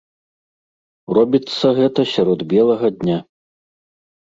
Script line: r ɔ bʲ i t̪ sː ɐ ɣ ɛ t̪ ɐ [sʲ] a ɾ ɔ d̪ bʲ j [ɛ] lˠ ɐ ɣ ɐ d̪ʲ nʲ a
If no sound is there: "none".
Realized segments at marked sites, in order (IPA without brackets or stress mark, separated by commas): sʲ, ɛ